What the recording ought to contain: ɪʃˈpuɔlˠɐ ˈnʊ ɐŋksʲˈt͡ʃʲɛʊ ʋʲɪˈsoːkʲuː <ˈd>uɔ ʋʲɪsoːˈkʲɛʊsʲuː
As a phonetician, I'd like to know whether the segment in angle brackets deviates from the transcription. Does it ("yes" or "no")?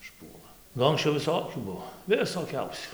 yes